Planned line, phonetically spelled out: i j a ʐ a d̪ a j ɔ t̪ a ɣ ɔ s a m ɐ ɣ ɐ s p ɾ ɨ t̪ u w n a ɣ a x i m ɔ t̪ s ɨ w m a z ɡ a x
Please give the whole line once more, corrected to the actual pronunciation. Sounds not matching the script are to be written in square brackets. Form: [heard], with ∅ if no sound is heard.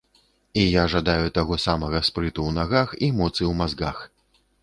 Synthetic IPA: i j a ʐ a d̪ a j [u] t̪ a ɣ ɔ s a m ɐ ɣ ɐ s p ɾ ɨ t̪ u w n a ɣ a x i m ɔ t̪ s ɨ w m a z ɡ a x